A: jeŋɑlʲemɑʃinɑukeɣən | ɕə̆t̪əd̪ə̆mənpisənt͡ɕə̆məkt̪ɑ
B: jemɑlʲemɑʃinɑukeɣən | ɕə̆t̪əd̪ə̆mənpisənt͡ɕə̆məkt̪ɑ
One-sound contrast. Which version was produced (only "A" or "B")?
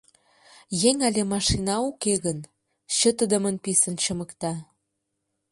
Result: A